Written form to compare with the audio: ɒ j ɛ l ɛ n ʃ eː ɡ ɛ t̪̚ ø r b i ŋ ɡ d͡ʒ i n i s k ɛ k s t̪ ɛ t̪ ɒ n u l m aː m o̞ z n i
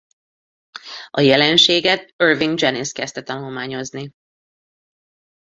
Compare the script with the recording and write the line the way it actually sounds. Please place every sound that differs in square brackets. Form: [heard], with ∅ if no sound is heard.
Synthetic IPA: ɒ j ɛ l ɛ n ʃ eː ɡ ɛ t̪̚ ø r [v] i ŋ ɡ d͡ʒ [ɛ] n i s k ɛ [∅] s t̪ ɛ t̪ ɒ n u l m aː [ɲ] o̞ z n i